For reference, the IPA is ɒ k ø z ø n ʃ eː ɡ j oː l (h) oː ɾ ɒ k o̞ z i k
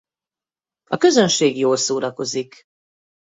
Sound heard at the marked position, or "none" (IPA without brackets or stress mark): s